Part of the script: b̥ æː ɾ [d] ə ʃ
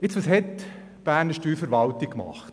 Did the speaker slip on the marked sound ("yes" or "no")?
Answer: yes